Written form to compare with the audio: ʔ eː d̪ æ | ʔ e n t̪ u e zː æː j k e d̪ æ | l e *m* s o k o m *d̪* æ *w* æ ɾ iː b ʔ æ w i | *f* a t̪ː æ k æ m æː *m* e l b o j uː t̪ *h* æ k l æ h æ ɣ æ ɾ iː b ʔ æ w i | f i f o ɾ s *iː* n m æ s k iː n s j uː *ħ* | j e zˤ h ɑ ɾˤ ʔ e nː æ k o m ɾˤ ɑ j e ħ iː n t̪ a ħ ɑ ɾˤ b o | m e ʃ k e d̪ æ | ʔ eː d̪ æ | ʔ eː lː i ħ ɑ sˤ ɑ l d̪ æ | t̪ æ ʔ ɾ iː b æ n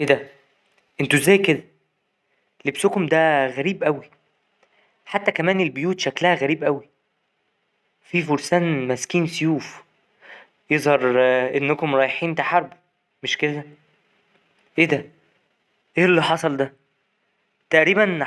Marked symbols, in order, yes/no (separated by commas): no, yes, no, no, no, no, no, no